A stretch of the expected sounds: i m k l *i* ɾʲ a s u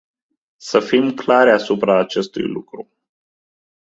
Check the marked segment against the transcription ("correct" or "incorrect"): incorrect